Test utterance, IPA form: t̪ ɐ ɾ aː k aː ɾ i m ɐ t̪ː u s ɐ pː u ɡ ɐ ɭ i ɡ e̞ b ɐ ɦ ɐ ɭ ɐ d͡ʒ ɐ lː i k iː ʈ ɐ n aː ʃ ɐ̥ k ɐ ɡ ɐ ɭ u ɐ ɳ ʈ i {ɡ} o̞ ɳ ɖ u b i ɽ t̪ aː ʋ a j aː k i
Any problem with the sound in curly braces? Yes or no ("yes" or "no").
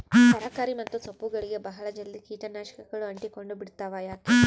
yes